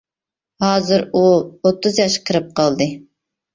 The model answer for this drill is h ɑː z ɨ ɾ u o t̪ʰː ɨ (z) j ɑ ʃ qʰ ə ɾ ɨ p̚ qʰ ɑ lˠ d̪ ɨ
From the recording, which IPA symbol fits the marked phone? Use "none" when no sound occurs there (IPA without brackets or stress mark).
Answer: z